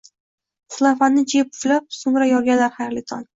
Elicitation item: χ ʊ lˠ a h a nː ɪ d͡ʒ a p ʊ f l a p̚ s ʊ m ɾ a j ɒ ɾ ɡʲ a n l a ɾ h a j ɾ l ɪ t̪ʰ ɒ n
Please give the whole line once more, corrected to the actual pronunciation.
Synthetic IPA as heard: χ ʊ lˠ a f a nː ɪ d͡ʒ e p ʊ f l a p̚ s ʊ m ɾ a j ɒ ɾ ɡʲ a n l a ɾ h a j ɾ l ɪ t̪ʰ ɒ n